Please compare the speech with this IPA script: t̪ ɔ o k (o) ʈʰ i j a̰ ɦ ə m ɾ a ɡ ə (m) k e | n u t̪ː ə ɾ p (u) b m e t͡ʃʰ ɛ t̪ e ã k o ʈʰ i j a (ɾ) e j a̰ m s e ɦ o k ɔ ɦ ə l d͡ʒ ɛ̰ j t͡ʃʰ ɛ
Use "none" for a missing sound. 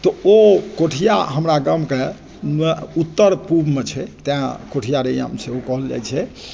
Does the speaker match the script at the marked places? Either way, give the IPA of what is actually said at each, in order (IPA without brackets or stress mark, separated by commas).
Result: o, m, u, ɾ